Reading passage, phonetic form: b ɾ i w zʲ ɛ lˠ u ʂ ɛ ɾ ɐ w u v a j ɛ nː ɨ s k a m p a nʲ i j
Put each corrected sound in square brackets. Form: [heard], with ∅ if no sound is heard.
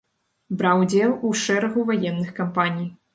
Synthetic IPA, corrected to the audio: b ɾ [a] w [d͡zʲ] ɛ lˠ u ʂ ɛ ɾ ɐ [ɣ] u v a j ɛ nː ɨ [x] k a m p a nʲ i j